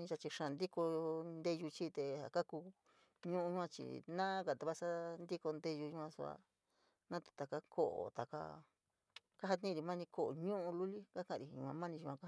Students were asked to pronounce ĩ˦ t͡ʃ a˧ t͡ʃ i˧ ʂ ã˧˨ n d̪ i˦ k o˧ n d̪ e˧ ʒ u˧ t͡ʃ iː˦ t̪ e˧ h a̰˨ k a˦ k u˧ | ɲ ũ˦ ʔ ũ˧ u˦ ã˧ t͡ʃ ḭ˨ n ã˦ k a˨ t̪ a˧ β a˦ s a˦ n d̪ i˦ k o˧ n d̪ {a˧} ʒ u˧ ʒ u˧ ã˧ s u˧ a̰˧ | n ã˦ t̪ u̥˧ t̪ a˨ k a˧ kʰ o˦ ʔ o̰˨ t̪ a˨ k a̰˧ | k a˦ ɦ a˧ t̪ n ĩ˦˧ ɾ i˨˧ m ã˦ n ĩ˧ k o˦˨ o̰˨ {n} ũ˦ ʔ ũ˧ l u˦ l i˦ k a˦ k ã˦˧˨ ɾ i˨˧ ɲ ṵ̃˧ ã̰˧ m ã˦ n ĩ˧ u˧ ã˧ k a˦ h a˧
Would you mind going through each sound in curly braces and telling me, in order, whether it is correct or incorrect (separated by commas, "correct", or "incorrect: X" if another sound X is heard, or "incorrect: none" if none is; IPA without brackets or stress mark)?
incorrect: e˧, incorrect: ɲ